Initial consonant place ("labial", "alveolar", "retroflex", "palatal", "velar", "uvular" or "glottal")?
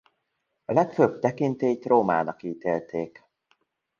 alveolar